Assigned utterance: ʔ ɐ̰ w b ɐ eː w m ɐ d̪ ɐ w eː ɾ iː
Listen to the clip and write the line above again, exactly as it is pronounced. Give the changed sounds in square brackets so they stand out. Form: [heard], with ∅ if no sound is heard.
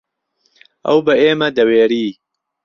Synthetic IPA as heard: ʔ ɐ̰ w b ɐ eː [∅] m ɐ d̪ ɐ w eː ɾ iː